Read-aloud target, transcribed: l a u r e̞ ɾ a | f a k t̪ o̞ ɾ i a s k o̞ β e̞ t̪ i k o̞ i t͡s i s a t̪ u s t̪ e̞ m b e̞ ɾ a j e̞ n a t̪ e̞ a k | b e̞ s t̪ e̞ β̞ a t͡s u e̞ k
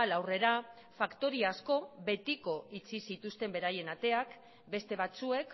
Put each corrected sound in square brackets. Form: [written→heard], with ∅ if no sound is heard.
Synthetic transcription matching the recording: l a [u→w] r e̞ ɾ a | f a k t̪ o̞ ɾ i a s k o̞ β e̞ t̪ i k o̞ i t͡s i s [a→i] t̪ u s t̪ e̞ m b e̞ ɾ a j e̞ n a t̪ e̞ a k | b e̞ s t̪ e̞ β̞ a t͡s u e̞ k